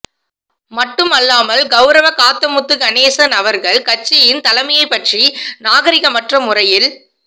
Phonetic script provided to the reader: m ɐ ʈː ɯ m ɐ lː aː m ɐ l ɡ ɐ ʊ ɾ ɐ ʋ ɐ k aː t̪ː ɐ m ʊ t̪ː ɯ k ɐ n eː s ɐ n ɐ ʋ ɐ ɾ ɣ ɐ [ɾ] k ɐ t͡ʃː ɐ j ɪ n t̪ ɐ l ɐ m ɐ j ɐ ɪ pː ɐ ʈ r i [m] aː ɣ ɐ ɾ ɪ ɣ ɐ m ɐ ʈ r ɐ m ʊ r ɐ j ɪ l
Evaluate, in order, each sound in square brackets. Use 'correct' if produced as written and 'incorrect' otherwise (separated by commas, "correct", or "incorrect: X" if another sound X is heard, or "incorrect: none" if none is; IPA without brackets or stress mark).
incorrect: ɭ, incorrect: n